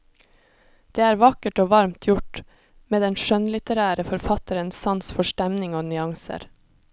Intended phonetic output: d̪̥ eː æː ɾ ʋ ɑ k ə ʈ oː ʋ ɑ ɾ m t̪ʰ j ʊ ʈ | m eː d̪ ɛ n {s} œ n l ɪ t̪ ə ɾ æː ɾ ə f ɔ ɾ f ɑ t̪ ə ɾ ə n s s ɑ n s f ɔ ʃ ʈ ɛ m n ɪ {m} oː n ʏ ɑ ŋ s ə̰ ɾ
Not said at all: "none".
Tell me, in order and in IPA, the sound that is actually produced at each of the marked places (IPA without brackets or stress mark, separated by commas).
ʃ, ŋ